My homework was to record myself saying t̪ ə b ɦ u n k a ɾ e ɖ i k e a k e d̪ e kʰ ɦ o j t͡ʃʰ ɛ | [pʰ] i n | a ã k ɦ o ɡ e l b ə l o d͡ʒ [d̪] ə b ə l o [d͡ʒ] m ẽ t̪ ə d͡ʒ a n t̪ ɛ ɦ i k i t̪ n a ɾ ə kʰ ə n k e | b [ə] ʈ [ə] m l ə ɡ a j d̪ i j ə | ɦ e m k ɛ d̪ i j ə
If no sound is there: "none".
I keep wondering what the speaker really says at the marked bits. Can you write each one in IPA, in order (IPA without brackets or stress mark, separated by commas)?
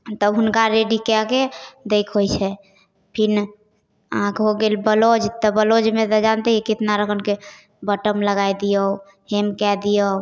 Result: pʰ, t̪, d͡ʒ, ə, ə